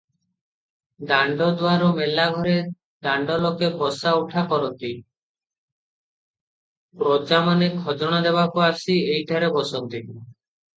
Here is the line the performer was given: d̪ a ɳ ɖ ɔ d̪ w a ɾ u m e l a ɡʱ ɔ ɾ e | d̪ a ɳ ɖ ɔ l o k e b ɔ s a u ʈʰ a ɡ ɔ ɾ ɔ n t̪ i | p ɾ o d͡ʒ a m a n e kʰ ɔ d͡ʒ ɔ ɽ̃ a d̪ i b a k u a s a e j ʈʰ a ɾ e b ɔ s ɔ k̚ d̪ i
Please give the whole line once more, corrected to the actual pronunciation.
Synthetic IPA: d̪ a ɳ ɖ ɔ d̪ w a ɾ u m e l a ɡʱ ɔ ɾ e | d̪ a ɳ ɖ ɔ l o k e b ɔ s a u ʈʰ a k ɔ ɾ ɔ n t̪ i | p ɾ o d͡ʒ a m a n e kʰ ɔ d͡ʒ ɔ ɽ̃ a d̪ e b a k u a s i e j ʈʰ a ɾ e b ɔ s ɔ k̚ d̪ i